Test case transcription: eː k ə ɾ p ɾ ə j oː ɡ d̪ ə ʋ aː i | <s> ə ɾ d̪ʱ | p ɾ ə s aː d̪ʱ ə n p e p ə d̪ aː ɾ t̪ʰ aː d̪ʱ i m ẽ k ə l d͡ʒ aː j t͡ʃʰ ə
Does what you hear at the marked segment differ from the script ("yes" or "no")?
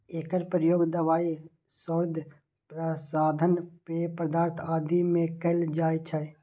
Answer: no